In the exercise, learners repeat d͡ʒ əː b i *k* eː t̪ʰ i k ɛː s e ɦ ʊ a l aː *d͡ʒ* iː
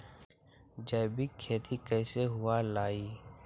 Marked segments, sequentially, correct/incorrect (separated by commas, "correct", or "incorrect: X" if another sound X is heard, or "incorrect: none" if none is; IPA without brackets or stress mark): incorrect: kʰ, incorrect: none